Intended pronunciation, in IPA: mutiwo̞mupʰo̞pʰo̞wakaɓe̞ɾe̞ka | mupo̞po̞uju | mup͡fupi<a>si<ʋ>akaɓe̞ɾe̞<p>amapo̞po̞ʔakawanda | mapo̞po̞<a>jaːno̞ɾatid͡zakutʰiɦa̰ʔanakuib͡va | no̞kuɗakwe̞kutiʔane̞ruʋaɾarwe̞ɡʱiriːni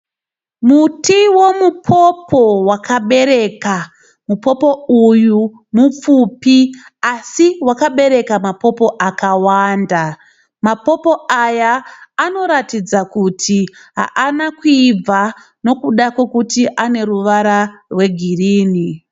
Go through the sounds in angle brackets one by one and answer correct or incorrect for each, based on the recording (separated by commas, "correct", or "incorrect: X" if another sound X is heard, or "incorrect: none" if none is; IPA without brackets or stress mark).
correct, incorrect: w, incorrect: k, correct